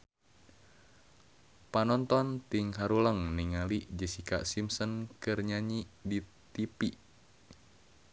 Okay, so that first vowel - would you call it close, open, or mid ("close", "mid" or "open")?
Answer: open